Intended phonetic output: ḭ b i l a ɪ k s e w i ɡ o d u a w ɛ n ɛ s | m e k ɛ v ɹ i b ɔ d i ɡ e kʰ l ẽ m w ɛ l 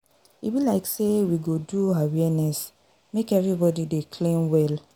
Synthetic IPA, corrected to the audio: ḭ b i l a ɪ k s e w i ɡ o d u a w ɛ n ɛ s | m e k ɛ v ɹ i b ɔ d i d e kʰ l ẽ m w ɛ l